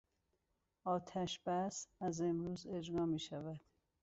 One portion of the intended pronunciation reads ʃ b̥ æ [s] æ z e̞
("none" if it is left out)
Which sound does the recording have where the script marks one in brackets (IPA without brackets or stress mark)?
s